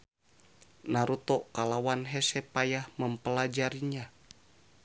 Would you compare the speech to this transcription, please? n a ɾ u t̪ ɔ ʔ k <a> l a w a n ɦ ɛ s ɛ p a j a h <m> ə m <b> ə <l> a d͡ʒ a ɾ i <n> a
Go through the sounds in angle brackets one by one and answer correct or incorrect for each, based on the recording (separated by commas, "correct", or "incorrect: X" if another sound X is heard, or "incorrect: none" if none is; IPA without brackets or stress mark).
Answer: correct, correct, incorrect: p, correct, incorrect: ɲ